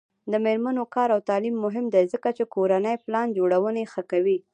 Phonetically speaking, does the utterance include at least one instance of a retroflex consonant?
yes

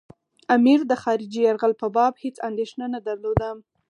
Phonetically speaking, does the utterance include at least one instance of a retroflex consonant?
no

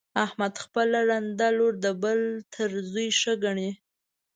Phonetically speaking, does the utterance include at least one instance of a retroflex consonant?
yes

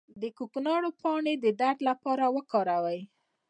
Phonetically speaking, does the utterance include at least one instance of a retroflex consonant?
yes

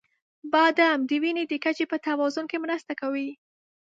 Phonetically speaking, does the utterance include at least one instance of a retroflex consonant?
no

